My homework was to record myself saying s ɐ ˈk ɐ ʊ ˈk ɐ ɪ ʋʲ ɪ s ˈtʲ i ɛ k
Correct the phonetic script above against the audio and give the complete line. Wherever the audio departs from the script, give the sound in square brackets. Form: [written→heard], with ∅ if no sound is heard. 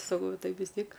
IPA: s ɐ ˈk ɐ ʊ [ˈk→ˈt] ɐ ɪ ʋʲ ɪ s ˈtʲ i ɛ k